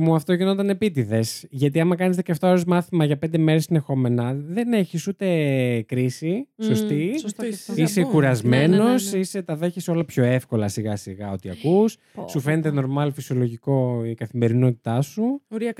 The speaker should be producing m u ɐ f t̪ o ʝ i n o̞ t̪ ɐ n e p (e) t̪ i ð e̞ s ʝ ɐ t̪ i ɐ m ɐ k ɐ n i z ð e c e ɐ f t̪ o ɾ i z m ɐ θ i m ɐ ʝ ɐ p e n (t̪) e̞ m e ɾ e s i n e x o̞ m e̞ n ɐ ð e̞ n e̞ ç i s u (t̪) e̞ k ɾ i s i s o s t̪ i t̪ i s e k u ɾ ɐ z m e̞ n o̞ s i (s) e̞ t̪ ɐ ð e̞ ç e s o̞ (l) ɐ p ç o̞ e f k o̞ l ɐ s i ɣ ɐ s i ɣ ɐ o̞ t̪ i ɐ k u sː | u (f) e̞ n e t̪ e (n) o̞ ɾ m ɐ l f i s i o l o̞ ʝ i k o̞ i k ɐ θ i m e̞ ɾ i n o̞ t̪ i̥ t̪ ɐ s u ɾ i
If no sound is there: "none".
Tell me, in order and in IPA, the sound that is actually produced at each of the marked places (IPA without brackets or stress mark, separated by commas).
i, d̪, t̪, s, l, f, n